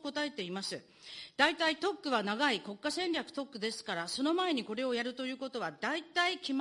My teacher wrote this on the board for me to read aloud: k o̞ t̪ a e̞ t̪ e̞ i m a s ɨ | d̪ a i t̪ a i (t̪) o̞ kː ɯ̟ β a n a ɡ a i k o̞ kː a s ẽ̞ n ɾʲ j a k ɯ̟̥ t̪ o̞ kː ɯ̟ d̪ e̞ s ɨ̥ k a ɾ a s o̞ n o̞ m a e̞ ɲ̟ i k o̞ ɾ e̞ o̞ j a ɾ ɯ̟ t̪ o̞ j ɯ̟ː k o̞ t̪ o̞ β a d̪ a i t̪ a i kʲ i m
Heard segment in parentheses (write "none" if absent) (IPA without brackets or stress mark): t̪